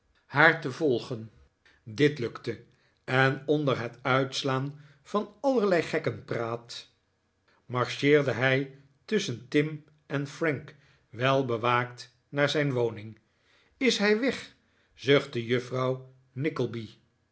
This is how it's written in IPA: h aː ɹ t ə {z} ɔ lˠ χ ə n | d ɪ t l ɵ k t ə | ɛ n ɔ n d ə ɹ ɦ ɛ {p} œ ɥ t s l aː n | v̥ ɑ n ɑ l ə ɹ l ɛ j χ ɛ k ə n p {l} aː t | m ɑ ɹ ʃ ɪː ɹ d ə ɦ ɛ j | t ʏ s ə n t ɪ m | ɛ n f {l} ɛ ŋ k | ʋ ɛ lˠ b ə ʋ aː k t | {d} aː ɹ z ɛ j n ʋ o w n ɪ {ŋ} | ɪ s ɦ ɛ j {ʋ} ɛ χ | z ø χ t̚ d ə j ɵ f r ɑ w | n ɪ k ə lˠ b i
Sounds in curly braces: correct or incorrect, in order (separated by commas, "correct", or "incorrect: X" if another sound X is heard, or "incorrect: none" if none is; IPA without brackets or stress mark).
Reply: incorrect: v, incorrect: t, incorrect: r, incorrect: r, incorrect: n, correct, correct